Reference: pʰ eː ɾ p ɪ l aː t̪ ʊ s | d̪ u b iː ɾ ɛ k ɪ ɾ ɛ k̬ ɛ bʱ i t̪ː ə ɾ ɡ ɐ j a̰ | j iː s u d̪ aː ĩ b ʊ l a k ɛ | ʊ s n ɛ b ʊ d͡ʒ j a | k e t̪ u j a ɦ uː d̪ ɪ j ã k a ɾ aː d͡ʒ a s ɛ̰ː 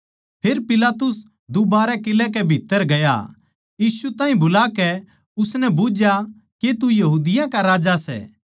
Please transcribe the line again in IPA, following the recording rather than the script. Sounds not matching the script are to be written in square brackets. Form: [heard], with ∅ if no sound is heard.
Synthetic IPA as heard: pʰ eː ɾ p ɪ l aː t̪ ʊ s | d̪ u b [aː] ɾ ɛ k ɪ [l] ɛ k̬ ɛ bʱ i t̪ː ə ɾ ɡ ɐ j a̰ | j iː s u [t̪] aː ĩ b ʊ l a k ɛ | ʊ s n ɛ b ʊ d͡ʒ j a | k e t̪ u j [ɐ] ɦ uː d̪ ɪ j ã k a ɾ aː d͡ʒ a s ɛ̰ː